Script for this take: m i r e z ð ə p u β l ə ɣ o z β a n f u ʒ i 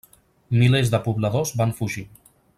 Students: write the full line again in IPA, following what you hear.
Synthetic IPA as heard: m i l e z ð ə p u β l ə ð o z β a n f u ʒ i